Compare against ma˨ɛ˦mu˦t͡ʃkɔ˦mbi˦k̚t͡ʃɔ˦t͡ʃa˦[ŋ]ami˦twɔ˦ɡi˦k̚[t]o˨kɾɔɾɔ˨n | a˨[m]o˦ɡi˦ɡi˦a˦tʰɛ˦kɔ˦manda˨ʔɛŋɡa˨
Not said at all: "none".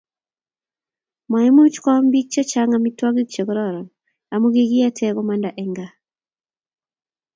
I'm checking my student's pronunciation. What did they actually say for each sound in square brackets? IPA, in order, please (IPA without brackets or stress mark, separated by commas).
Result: ŋ, t͡ʃ, m